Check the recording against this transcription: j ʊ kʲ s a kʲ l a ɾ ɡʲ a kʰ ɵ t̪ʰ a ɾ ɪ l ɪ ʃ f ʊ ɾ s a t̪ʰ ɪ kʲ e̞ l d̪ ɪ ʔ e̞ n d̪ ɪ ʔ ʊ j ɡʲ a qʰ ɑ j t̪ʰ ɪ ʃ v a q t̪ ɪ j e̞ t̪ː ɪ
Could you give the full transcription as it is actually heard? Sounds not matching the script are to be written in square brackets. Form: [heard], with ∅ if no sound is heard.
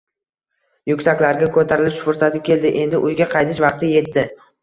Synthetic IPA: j ʊ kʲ s a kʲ l a ɾ ɡʲ a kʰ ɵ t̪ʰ a ɾ ɪ l ɪ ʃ f ʊ ɾ s a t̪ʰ ɪ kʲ e̞ l d̪ ɪ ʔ e̞ n d̪ ɪ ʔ ʊ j ɡʲ a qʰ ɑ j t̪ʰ ɪ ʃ v [ɑ] q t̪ ɪ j e̞ t̪ː ɪ